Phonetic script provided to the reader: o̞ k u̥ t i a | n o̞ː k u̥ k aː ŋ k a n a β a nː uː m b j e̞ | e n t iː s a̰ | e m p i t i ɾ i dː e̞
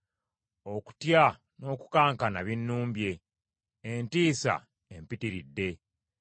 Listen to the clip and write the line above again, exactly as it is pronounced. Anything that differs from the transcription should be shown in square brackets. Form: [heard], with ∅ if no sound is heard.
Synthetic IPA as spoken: o̞ k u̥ t [j] a | n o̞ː k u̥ k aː ŋ k a n a β [i] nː uː m b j e̞ | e n t iː s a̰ | e m p i t i ɾ i dː e̞